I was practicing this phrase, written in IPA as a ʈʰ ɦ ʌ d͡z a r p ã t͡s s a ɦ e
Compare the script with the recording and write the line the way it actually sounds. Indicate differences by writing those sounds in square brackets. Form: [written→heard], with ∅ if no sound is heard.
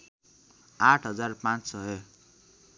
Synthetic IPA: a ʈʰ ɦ ʌ d͡z a r p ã t͡s s [a→ʌ] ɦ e